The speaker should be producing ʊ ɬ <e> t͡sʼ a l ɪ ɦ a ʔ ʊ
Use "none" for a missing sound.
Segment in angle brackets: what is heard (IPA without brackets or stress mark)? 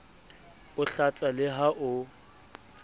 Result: a